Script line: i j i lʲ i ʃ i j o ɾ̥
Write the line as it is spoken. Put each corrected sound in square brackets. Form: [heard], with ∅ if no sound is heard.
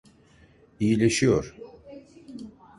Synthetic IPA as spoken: i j i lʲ [e] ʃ i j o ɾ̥